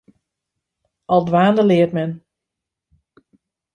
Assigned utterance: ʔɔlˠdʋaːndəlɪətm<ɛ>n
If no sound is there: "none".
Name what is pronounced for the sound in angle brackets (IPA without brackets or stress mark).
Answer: ɛ